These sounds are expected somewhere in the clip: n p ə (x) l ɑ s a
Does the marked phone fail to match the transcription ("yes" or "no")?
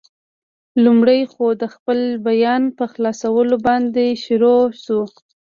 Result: no